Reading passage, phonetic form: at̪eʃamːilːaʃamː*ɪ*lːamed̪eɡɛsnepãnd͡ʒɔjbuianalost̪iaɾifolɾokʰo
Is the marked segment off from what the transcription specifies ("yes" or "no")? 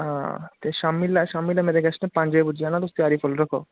yes